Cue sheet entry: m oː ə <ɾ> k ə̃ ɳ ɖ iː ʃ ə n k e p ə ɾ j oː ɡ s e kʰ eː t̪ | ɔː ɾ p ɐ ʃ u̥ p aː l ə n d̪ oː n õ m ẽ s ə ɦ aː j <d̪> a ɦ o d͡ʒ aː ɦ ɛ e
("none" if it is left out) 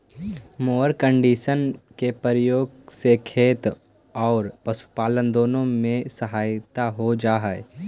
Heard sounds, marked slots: ɾ, t̪

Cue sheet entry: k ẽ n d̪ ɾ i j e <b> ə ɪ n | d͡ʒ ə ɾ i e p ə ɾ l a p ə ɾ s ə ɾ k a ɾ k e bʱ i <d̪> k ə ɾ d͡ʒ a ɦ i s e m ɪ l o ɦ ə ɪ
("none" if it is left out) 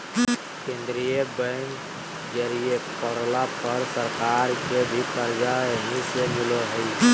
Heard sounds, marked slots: b, none

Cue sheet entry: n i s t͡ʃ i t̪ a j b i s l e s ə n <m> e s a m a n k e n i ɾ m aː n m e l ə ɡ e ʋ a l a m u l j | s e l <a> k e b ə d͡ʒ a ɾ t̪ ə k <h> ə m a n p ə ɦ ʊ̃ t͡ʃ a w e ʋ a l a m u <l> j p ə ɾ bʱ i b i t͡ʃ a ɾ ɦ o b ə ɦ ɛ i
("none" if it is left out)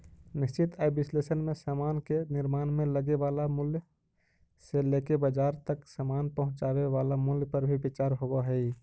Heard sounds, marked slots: m, e, s, l

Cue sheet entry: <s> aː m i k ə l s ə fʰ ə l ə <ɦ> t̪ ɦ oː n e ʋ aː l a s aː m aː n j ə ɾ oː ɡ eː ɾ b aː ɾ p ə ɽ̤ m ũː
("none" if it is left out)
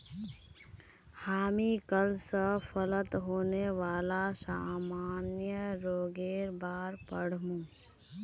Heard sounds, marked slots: h, none

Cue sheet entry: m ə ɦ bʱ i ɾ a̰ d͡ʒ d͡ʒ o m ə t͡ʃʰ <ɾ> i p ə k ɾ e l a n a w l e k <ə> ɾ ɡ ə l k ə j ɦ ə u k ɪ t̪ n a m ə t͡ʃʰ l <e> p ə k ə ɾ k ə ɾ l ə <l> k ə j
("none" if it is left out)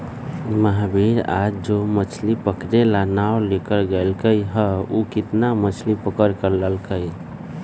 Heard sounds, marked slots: l, ə, i, l

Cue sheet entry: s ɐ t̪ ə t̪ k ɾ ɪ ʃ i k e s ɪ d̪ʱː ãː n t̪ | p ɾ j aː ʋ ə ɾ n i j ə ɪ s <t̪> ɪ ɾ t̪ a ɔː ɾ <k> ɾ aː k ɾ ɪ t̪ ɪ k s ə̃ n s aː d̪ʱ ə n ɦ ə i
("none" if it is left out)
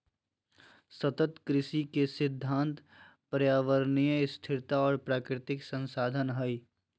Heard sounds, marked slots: t̪ʰ, p

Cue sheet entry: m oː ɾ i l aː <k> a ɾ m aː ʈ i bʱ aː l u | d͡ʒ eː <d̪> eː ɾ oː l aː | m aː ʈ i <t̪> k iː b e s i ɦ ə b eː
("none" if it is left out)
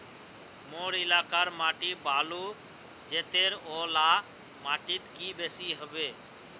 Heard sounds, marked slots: k, t̪, t̪

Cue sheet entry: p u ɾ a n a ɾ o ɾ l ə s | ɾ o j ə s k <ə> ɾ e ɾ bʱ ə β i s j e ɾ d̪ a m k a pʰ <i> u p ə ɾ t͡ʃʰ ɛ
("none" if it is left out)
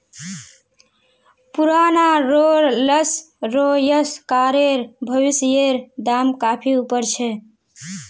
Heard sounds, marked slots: a, i

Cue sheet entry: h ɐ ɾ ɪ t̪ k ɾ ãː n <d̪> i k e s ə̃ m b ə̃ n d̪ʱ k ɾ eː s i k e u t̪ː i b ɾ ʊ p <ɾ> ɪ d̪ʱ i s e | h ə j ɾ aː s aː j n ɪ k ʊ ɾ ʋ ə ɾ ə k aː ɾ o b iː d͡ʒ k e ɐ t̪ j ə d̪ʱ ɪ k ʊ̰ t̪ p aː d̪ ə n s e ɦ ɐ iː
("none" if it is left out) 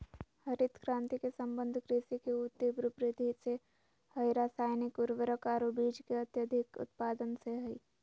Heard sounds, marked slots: t̪, ɾ

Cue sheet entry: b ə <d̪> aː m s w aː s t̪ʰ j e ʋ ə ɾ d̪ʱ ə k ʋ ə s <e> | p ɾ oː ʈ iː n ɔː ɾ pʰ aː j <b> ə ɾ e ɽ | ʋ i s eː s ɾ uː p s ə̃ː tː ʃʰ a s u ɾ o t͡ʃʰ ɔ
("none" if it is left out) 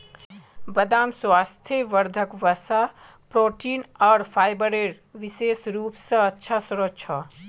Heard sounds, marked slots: d̪, a, b

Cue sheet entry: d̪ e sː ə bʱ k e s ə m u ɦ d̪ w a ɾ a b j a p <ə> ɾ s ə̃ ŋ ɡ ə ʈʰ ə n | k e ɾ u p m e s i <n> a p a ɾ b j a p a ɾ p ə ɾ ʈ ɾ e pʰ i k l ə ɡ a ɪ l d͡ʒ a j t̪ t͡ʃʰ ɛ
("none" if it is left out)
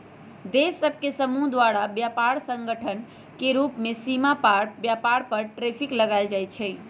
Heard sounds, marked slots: a, m

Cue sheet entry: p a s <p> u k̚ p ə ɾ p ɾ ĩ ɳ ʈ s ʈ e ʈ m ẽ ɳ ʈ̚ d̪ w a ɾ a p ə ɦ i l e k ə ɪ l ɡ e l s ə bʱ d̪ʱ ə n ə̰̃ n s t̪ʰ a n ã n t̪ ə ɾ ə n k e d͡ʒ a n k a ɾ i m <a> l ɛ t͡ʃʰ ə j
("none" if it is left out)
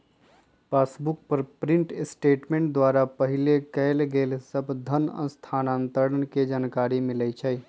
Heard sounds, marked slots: b, i

